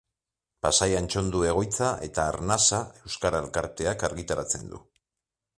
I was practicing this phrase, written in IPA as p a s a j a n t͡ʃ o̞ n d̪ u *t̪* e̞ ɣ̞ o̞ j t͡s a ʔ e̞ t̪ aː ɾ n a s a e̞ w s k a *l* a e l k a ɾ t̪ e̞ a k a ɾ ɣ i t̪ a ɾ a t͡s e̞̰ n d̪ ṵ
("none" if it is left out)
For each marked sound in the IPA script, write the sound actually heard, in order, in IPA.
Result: none, ɾ

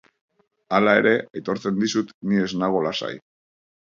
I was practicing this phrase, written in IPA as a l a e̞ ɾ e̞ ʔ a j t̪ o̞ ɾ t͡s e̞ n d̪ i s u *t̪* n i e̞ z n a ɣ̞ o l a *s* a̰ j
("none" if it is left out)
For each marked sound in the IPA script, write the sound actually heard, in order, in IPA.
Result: t̪, s

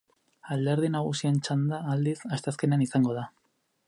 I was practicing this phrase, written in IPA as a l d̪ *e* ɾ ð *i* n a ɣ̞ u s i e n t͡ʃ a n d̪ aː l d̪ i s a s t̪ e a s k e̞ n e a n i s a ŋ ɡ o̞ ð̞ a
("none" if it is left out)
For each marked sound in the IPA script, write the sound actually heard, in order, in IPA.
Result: e, i

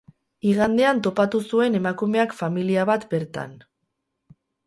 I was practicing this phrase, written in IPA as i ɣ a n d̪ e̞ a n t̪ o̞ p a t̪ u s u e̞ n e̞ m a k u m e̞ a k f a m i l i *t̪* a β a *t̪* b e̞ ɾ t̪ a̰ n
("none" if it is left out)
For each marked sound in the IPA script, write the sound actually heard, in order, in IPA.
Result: none, t̪

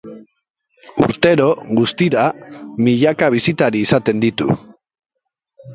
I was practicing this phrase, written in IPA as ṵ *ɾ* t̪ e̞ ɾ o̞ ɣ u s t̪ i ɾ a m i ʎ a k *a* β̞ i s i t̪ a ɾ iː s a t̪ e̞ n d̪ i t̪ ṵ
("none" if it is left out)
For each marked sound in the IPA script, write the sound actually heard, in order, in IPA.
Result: ɾ, a

